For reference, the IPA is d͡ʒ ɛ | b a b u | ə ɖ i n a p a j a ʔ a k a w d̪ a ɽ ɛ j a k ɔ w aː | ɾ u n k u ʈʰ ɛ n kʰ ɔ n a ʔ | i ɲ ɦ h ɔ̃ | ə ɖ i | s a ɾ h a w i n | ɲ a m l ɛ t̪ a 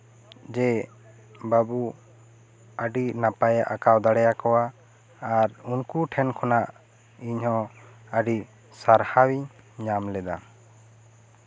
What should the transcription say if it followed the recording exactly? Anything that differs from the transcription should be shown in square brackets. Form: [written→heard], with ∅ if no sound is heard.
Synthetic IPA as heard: d͡ʒ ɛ | b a b u | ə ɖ i n a p a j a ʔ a k a w d̪ a ɽ ɛ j a k ɔ w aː | ɾ u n k u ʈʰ ɛ n kʰ ɔ n a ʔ | i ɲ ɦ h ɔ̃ | ə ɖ i | s a ɾ h a w i [n→ɲ] | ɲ a m l ɛ [t̪→d̪] a

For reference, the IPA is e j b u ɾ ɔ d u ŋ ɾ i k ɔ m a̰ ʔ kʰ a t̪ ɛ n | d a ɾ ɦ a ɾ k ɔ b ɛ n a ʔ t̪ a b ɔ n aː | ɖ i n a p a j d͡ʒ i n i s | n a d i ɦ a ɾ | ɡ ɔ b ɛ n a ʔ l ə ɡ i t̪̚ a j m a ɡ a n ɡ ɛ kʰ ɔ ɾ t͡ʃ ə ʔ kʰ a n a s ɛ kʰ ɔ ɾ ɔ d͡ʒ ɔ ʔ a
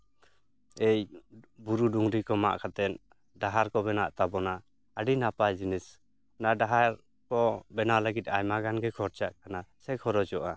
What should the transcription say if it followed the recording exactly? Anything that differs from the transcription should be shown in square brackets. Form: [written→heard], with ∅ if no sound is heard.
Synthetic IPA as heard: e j b u ɾ [ɔ→u] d u ŋ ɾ i k ɔ m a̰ ʔ kʰ a t̪ ɛ n | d a [ɾ→∅] ɦ a ɾ k ɔ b ɛ n a ʔ t̪ a b ɔ n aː | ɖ i n a p a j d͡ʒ i n i s | n a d [i→a] ɦ a ɾ | [ɡ→k] ɔ b ɛ n a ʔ l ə ɡ i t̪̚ a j m a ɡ a n ɡ ɛ kʰ ɔ ɾ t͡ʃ [ə→a] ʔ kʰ a n a s ɛ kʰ ɔ ɾ ɔ d͡ʒ ɔ ʔ a

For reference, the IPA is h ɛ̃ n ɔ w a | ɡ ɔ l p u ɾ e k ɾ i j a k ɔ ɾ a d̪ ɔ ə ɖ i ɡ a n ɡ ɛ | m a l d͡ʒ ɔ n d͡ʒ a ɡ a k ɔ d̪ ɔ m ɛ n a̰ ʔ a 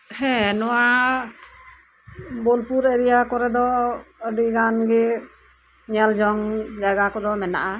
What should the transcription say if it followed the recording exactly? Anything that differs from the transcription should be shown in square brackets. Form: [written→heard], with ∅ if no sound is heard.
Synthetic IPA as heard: h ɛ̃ n ɔ w a | [ɡ→b] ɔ l p u ɾ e [k→∅] ɾ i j a k ɔ ɾ [a→ɛ] d̪ ɔ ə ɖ i ɡ a n ɡ ɛ | [m→ɲ] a l d͡ʒ ɔ [n→ŋ] d͡ʒ a ɡ a k ɔ d̪ ɔ m ɛ n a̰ ʔ a

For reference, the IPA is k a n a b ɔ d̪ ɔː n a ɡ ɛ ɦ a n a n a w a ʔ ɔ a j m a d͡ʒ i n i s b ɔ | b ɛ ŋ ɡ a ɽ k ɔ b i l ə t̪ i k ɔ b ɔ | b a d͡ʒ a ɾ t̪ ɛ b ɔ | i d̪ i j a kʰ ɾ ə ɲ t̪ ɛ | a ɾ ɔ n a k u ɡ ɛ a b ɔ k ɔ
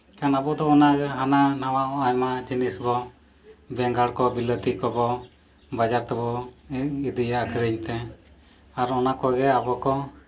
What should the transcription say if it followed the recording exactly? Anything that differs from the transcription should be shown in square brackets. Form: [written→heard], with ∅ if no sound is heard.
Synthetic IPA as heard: k a n a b ɔ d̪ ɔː n a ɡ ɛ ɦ a n a n a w a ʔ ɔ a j m a d͡ʒ i n i s b ɔ | b ɛ ŋ ɡ a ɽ k ɔ b i l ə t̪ i k ɔ b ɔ | b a d͡ʒ a ɾ t̪ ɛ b ɔ | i d̪ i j a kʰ ɾ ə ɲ t̪ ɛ | a ɾ ɔ n a k [u→ɔ] ɡ ɛ a b ɔ k ɔ

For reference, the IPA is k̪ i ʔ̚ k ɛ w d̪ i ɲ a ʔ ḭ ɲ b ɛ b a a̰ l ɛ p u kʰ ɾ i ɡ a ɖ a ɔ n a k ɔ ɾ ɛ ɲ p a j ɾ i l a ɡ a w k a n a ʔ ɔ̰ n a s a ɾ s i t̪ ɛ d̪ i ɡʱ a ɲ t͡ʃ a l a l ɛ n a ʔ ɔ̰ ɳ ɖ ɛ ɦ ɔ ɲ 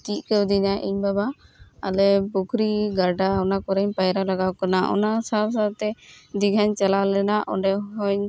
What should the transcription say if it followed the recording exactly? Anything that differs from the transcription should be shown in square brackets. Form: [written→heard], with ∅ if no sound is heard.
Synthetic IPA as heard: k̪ i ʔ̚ k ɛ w d̪ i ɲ a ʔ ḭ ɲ b [ɛ→a] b a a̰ l ɛ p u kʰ ɾ i ɡ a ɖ a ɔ n a k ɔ ɾ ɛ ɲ p a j ɾ [i→a] l a ɡ a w k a n a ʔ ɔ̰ n a s a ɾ s [i→a] t̪ ɛ d̪ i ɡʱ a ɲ t͡ʃ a l a l ɛ n a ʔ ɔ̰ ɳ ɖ ɛ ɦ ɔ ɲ

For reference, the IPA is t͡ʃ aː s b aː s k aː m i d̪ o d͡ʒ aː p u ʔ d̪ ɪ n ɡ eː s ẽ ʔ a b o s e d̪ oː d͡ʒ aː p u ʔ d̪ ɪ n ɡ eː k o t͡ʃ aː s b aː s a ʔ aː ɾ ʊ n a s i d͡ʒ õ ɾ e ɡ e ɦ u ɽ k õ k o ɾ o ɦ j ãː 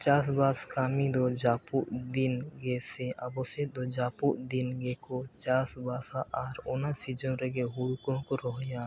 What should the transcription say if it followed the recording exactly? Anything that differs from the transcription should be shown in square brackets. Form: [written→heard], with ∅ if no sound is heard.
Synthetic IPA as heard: t͡ʃ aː s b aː s k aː m i d̪ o d͡ʒ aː p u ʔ d̪ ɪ n ɡ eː s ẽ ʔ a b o s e d̪ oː d͡ʒ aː p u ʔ d̪ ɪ n ɡ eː k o t͡ʃ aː s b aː s a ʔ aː ɾ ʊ n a s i d͡ʒ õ ɾ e ɡ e ɦ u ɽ k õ k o ɾ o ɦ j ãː

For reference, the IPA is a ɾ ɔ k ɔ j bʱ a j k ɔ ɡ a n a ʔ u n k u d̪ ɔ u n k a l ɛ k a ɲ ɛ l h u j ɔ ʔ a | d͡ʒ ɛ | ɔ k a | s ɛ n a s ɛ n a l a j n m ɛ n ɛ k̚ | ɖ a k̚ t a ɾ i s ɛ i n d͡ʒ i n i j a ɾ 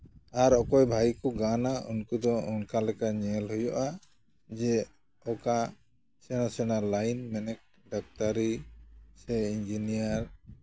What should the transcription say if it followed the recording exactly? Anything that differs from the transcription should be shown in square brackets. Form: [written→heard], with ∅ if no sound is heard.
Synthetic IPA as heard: a ɾ ɔ k ɔ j bʱ a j k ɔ ɡ a n a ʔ u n k u d̪ ɔ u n k a l ɛ k a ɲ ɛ l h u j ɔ ʔ a | d͡ʒ ɛ | ɔ k a | s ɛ n a s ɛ n a l a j n m ɛ n ɛ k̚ | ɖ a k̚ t a ɾ i s ɛ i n d͡ʒ i n i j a ɾ

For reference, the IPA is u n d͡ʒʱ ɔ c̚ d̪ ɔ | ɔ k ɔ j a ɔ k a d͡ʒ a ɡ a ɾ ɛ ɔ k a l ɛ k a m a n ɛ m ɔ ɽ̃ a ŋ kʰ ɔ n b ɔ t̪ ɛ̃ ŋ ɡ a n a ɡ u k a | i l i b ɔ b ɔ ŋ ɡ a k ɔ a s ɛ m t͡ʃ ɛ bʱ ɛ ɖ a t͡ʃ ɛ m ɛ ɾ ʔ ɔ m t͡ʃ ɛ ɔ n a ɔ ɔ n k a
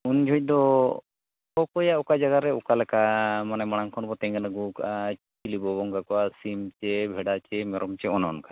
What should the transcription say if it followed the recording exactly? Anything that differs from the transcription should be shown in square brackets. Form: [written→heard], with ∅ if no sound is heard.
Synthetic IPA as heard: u n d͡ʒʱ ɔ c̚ d̪ ɔ | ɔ k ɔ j a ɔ k a d͡ʒ a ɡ a ɾ ɛ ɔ k a l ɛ k a m a n ɛ m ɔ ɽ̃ a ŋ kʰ ɔ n b ɔ t̪ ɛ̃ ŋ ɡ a n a ɡ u k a | i l i b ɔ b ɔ ŋ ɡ a k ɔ a s [ɛ→i] m t͡ʃ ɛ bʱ ɛ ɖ a t͡ʃ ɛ m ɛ ɾ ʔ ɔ m t͡ʃ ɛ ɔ n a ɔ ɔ n k a

